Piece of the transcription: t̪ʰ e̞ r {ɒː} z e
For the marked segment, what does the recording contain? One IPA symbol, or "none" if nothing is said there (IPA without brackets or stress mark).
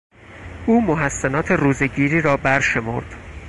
uː